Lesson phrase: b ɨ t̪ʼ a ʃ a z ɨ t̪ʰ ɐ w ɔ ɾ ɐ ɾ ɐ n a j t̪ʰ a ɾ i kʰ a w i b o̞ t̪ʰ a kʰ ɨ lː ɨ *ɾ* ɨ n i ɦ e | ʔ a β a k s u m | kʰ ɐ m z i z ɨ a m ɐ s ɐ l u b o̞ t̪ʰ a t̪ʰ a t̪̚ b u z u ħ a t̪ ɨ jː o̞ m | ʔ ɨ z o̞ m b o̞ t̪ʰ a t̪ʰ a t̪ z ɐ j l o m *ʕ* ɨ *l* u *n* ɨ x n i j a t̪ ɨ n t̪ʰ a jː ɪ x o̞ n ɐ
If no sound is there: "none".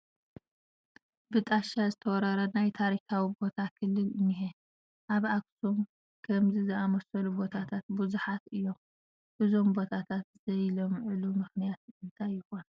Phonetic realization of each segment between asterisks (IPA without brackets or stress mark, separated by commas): l, ʕ, l, m